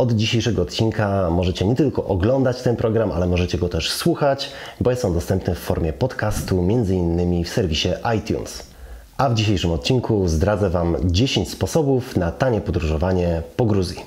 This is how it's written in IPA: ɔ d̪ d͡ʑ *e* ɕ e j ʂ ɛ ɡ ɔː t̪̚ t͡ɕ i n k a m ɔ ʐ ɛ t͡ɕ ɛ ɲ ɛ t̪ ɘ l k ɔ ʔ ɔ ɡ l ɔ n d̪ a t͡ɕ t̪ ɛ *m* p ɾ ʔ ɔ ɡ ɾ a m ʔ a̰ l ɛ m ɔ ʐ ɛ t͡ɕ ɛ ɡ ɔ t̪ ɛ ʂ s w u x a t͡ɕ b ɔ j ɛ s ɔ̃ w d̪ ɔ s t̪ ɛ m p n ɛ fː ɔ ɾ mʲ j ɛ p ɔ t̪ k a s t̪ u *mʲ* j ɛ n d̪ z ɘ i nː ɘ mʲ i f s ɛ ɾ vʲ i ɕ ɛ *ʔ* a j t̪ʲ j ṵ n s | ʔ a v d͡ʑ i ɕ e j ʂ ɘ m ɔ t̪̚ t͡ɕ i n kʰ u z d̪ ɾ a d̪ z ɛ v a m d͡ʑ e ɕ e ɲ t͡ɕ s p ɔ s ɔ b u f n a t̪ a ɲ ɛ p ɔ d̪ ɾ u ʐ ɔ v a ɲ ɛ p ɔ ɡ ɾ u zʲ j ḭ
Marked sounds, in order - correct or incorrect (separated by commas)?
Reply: incorrect, incorrect, correct, correct